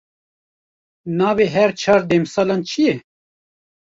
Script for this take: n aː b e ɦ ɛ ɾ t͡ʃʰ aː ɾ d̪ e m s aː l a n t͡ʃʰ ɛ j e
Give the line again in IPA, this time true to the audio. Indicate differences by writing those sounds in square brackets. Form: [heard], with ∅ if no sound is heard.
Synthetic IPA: n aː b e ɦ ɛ ɾ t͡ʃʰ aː ɾ d̪ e m s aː l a n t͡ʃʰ [i] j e